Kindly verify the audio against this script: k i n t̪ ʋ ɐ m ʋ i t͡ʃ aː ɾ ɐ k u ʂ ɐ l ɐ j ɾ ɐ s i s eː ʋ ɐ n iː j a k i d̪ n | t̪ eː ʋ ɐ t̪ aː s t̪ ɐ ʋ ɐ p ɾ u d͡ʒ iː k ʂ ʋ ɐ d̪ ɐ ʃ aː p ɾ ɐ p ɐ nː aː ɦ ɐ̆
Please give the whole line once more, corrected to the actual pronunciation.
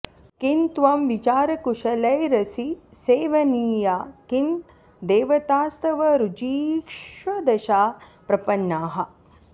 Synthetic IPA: k i n t̪ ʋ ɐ m ʋ i t͡ʃ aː ɾ ɐ k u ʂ ɐ l ɐ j ɾ ɐ s i s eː ʋ ɐ n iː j a k i n | d̪ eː ʋ ɐ t̪ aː s t̪ ɐ ʋ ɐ ɾ u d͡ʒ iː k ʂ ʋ ɐ d̪ ɐ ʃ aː p ɾ ɐ p ɐ nː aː ɦ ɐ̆